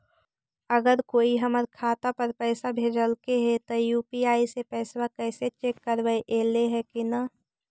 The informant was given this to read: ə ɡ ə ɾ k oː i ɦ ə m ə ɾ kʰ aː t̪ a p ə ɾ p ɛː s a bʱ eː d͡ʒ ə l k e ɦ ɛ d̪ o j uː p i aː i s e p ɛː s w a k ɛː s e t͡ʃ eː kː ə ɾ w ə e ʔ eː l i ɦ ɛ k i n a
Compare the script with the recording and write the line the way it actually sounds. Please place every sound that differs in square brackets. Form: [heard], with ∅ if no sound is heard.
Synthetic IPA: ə ɡ ə ɾ k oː i ɦ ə m ə ɾ kʰ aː t̪ a p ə ɾ p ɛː s a bʱ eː d͡ʒ ə l k e ɦ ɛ [t̪] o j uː p i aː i s e p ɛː s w a k ɛː s e t͡ʃ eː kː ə ɾ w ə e ʔ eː l [e] ɦ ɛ k i n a